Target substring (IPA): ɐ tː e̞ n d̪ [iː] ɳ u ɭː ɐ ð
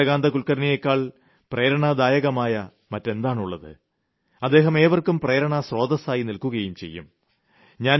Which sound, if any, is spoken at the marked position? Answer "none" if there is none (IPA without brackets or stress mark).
aː